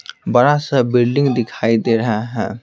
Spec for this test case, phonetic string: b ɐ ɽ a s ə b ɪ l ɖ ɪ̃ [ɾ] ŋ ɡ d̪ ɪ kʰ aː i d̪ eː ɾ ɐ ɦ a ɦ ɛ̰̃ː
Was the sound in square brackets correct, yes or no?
no